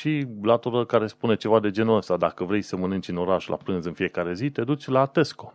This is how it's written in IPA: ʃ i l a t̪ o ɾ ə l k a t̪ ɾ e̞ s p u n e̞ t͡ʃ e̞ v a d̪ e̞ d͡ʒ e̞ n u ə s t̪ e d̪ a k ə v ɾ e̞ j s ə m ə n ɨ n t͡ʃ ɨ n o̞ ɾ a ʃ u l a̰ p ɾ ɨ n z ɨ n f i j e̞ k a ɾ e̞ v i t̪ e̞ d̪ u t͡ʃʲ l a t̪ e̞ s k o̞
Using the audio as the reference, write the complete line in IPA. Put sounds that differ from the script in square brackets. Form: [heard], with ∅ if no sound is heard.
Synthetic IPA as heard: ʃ i l a t̪ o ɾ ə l k a [∅] ɾ e̞ s p u n e̞ t͡ʃ e̞ v a d̪ e̞ d͡ʒ e̞ n u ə s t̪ [a] d̪ a k ə v ɾ e̞ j s ə m ə n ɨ n t͡ʃ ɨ n o̞ ɾ a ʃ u l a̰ p ɾ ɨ n z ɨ n f i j e̞ k a ɾ e̞ [z] i t̪ e̞ d̪ u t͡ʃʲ l a t̪ e̞ s k o̞